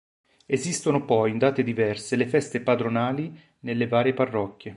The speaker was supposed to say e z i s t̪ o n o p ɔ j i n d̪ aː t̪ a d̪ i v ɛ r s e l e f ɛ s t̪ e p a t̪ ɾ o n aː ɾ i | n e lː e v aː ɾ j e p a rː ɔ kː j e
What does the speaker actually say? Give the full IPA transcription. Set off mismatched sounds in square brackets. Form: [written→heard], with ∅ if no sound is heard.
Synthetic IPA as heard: e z i s t̪ o n o p ɔ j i n d̪ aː t̪ [a→e] d̪ i v ɛ r s e l e f ɛ s t̪ e p a [t̪→d̪] ɾ o n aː [ɾ→l] i | n e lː e v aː ɾ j e p a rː ɔ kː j e